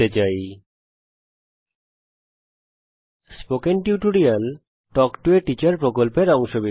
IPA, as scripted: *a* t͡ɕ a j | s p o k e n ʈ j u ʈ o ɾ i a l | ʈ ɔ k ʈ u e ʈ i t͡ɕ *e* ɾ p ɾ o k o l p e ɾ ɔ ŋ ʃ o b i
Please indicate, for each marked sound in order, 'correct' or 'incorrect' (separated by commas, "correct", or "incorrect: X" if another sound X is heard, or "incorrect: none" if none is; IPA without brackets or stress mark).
incorrect: e, incorrect: a